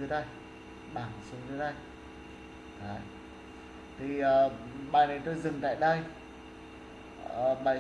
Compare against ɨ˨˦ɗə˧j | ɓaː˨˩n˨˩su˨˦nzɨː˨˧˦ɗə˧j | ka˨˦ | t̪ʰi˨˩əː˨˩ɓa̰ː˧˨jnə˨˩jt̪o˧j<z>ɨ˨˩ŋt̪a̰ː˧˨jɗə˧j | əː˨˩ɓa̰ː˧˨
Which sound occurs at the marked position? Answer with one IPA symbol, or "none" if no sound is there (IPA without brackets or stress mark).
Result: z